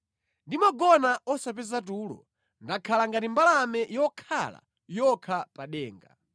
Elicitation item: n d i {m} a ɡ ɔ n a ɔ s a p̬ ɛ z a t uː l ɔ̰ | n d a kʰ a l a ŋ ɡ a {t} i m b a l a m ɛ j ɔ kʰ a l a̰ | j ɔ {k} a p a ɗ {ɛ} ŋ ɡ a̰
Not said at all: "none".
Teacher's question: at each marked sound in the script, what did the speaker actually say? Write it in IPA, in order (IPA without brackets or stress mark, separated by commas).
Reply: m, t, kʰ, ɛː